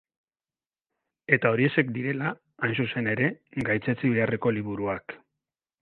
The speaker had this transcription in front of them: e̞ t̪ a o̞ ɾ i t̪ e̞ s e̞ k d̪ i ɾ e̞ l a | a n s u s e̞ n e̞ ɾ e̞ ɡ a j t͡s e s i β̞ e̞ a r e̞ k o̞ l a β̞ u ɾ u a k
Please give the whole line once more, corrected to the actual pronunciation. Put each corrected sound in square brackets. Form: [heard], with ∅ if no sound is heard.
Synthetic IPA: e̞ t̪ a o̞ ɾ i [∅] e̞ s e̞ k d̪ i ɾ e̞ l a | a n s u s e̞ n e̞ ɾ e̞ ɡ a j t͡s e [t͡s] i β̞ e̞ a r e̞ k o̞ l [i] β̞ u ɾ u a k